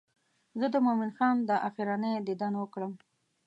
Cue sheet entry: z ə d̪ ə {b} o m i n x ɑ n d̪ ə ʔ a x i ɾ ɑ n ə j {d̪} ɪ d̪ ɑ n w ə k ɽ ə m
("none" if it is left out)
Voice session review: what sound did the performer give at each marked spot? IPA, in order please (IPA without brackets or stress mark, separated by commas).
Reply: m, d̪